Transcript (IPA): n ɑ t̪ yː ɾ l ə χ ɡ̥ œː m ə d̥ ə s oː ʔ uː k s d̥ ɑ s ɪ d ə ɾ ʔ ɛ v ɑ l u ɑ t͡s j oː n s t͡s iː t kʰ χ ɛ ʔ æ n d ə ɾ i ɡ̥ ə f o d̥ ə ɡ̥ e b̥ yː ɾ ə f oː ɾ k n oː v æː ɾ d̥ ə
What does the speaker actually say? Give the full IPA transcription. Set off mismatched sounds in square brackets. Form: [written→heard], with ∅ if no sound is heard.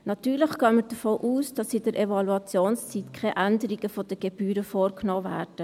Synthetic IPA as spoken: n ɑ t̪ yː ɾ l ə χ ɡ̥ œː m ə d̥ ə [s→f] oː ʔ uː [k→∅] s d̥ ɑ s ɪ d ə ɾ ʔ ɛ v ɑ l u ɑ t͡s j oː n s t͡s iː t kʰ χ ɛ ʔ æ n d ə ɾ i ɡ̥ ə f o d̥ ə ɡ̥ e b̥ yː ɾ ə f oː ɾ k n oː v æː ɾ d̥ ə

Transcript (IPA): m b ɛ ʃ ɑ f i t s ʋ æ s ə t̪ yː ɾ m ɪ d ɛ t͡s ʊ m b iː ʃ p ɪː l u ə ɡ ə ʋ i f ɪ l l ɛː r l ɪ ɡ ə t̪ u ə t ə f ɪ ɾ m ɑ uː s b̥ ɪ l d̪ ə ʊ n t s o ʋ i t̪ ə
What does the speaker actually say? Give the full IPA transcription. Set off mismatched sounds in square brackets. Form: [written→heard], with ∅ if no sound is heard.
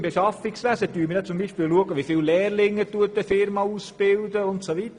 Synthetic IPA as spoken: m b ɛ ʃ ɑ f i [t→k] s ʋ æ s ə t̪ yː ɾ m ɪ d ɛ t͡s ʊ m b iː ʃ p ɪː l u ə ɡ ə ʋ i f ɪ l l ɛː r l ɪ [ɡ→ŋ] ə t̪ u ə t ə f ɪ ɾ m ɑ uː s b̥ ɪ l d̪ ə ʊ n t s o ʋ i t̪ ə

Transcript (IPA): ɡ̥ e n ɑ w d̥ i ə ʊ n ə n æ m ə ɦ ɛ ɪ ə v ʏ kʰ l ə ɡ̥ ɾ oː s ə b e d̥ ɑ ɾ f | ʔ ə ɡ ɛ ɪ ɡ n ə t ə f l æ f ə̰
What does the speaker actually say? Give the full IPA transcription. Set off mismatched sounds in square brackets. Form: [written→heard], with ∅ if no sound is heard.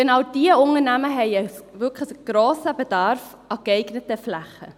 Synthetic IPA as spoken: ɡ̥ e n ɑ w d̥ i ə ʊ n ə n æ m ə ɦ ɛ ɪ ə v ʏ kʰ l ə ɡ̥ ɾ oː s ə b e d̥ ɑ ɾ f | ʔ [ə→ɑ] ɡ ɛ ɪ ɡ n ə t ə f l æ [f→χ] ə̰

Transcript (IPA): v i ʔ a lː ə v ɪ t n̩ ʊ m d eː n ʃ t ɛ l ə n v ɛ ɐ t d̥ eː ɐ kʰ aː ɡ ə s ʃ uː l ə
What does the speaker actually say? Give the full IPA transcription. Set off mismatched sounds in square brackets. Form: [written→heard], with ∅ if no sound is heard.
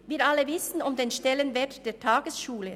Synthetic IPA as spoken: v [i→iː] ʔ a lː ə v ɪ [t→s] n̩ ʊ m d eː n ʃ t ɛ l ə n v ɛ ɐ t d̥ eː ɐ [kʰ→tʰ] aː ɡ ə s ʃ uː l ə

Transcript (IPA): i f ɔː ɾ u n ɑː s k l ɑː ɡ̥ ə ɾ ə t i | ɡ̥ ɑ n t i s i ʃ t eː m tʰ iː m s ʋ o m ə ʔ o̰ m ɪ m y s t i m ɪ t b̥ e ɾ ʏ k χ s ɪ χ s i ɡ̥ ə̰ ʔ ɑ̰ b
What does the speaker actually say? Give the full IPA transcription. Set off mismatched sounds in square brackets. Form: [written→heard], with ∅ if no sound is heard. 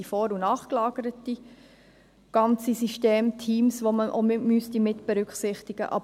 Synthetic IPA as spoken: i f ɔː ɾ u n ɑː [s→χ] k l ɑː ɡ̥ ə ɾ ə t i | ɡ̥ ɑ n [t→t͡s] i s i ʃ t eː m tʰ iː m s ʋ o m ə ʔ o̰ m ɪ m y s t i m ɪ t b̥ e ɾ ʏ k χ s ɪ χ [s→t] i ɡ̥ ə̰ ʔ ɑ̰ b

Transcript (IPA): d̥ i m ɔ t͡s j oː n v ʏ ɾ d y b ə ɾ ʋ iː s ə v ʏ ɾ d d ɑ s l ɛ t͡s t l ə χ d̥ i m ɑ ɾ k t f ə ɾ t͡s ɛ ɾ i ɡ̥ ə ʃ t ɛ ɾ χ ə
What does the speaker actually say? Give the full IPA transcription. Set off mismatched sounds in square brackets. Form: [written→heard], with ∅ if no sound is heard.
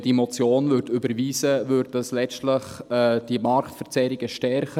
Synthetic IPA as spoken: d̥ i m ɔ t͡s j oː n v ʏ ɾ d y b ə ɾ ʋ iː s ə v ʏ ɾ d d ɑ s l ɛ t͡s t l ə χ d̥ i m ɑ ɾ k t f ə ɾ t͡s ɛ ɾ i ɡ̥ ə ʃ t ɛ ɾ χ ə

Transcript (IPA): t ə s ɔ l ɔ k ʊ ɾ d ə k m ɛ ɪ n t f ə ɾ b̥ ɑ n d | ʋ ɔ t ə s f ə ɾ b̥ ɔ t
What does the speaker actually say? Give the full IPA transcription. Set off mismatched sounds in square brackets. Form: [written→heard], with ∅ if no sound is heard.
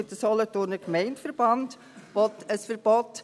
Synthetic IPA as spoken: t ə s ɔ l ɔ [k→t] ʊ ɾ [d→n] ə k m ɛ ɪ n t f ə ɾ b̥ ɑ n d | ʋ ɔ t ə s f ə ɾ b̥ ɔ t

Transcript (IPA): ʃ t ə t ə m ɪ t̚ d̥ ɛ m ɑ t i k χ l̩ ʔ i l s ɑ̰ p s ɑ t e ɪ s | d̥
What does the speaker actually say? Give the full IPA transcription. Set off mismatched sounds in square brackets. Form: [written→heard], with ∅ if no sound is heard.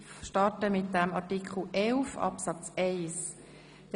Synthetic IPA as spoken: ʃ t [ə→ɑ] t ə m ɪ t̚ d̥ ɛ m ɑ t i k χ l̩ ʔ [i→ɛ] l [s→f] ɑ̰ p s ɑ [t→t͡s] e ɪ s | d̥

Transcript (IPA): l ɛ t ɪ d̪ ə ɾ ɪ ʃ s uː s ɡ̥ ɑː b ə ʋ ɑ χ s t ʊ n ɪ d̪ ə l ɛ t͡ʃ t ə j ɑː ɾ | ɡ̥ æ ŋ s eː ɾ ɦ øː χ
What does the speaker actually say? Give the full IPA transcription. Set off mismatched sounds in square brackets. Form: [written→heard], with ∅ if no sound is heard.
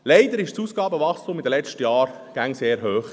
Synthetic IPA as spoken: l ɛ [t→∅] ɪ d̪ ə ɾ ɪ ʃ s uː s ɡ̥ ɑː b ə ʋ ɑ χ s t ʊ [n→m] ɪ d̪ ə l ɛ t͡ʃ t ə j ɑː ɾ | ɡ̥ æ ŋ s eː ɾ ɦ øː χ

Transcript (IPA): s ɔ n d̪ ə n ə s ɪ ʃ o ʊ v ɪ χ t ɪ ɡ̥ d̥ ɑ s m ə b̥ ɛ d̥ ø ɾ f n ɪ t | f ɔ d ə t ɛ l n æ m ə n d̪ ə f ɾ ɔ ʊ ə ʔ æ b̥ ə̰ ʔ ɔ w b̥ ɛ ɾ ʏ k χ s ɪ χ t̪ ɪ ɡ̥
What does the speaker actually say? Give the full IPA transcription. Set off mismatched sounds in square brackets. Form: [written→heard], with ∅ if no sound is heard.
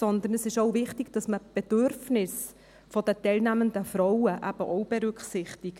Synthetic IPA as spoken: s ɔ n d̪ ə n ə s ɪ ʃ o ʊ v ɪ χ t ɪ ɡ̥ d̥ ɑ s m ə b̥ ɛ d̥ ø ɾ f n ɪ [t→s] | f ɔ d ə t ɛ l n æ m ə n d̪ ə f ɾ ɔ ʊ ə ʔ æ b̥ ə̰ ʔ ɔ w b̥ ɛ ɾ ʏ k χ s ɪ χ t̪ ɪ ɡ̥

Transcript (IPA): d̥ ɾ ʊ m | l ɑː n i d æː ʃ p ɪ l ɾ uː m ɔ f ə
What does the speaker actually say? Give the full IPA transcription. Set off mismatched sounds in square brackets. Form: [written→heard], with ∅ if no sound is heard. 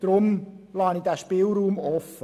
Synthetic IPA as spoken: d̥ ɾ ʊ m | l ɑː n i d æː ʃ p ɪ l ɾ uː m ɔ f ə

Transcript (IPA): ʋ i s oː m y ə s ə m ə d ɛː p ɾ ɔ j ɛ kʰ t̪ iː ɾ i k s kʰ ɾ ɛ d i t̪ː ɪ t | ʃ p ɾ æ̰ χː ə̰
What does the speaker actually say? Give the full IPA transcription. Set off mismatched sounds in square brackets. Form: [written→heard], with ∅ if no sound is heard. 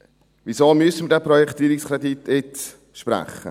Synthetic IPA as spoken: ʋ i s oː m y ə s ə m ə d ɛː p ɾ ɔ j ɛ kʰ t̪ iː ɾ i k s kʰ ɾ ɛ d i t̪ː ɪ t | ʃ p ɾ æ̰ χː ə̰

